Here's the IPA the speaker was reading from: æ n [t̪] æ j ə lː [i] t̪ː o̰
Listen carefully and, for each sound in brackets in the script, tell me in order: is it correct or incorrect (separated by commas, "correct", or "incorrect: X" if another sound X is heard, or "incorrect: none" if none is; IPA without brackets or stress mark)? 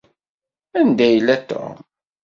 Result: incorrect: d̪, incorrect: æ